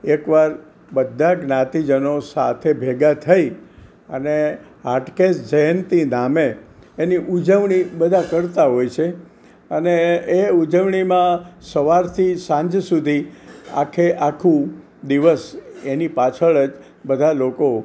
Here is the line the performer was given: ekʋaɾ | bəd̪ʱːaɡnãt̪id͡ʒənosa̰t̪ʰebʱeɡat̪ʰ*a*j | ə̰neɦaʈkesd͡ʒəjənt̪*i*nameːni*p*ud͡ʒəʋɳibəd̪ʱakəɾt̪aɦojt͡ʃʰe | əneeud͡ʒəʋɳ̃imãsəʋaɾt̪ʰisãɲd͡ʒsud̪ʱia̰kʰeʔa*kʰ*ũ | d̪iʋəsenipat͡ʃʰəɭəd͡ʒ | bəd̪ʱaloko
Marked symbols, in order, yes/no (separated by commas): no, yes, no, yes